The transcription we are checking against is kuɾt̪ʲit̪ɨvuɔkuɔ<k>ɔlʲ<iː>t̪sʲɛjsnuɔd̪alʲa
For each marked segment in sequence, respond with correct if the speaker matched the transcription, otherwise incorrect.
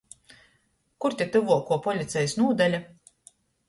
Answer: incorrect, incorrect

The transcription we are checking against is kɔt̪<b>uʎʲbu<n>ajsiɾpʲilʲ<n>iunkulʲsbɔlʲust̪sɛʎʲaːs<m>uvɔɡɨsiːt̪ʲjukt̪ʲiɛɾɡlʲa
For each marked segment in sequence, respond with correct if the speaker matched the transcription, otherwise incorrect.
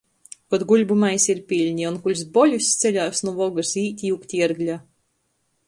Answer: incorrect, incorrect, incorrect, incorrect

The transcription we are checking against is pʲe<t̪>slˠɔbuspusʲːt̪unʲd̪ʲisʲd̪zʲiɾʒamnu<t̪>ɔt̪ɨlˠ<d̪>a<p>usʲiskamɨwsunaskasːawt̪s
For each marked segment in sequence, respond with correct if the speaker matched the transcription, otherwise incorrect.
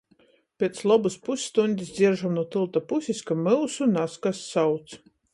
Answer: correct, incorrect, incorrect, correct

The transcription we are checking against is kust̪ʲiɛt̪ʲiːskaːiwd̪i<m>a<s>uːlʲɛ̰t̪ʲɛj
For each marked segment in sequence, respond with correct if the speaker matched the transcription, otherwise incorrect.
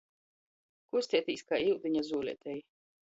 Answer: incorrect, incorrect

